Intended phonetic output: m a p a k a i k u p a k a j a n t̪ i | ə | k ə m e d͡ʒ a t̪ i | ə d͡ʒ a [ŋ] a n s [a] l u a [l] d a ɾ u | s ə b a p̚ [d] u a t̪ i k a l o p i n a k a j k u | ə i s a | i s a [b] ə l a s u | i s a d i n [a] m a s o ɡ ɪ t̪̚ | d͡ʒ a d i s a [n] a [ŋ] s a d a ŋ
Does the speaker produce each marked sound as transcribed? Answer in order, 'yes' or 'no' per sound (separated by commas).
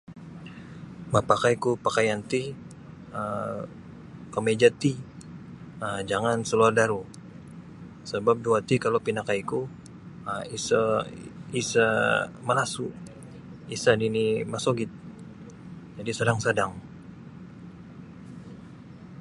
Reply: yes, no, no, yes, no, no, no, yes